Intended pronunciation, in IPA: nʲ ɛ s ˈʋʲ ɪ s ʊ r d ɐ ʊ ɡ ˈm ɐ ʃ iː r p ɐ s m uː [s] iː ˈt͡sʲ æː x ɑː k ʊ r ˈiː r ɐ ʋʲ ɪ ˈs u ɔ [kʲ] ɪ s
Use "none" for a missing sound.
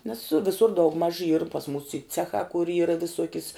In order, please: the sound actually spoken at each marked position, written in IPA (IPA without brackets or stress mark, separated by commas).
s, kʲ